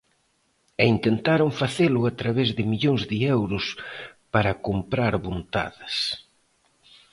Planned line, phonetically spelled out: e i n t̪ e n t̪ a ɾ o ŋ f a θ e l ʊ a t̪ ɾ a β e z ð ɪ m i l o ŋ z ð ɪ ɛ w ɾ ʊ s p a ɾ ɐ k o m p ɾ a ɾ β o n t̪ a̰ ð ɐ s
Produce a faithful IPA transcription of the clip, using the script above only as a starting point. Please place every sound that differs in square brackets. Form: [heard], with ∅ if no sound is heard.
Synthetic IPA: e i n t̪ e n t̪ a ɾ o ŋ f a θ e l ʊ a t̪ ɾ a β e z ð ɪ m i [ʎ] o ŋ z ð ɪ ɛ w ɾ ʊ s p a ɾ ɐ k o m p ɾ a ɾ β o n t̪ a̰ ð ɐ s